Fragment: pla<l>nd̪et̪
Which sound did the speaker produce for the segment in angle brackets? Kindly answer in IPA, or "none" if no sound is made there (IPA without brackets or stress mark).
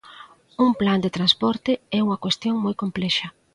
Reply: none